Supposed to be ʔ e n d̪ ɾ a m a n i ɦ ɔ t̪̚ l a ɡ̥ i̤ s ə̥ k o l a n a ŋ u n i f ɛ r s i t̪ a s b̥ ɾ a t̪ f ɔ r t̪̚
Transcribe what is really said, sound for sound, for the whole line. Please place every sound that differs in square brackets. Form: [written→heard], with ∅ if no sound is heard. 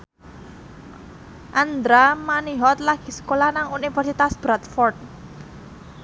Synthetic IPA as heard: ʔ [e→a] n d̪ ɾ a m a n i ɦ ɔ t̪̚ l a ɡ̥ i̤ s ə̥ k o l a n a ŋ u n i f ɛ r s i t̪ a s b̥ ɾ a t̪ f ɔ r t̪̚